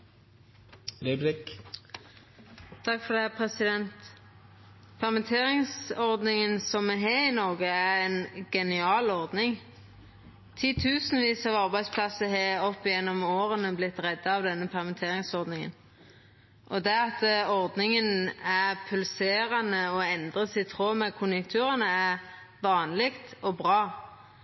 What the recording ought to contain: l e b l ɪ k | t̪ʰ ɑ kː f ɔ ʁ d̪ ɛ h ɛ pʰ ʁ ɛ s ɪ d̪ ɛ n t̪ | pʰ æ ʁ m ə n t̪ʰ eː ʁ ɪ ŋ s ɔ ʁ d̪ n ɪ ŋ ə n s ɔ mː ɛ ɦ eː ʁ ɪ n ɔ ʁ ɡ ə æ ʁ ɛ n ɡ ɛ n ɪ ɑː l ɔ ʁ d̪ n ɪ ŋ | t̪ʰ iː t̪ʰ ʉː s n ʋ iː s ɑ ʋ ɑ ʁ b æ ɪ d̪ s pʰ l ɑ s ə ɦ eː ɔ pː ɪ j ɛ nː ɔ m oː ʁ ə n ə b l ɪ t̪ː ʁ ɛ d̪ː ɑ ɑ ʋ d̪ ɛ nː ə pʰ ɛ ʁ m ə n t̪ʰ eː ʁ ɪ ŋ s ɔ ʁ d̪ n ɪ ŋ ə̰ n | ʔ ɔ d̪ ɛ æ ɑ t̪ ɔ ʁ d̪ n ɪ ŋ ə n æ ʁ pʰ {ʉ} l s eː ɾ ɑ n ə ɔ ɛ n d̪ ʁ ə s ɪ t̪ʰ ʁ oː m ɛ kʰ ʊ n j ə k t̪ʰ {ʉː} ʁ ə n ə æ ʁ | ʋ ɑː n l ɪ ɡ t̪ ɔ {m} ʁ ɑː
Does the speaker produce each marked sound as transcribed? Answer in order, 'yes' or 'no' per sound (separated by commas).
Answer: yes, yes, no